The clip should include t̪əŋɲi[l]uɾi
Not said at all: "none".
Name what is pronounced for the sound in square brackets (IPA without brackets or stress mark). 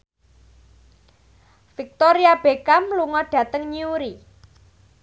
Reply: none